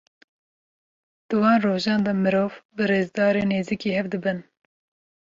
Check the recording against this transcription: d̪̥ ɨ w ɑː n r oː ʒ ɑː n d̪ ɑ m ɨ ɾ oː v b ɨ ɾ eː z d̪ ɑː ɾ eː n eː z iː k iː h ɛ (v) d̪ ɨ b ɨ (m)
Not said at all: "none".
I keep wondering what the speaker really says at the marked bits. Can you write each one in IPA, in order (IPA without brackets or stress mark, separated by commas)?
v, n